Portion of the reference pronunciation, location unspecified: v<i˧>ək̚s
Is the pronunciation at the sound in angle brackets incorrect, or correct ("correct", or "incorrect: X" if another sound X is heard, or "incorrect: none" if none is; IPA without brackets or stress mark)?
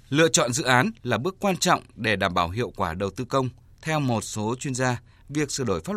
incorrect: i˨˩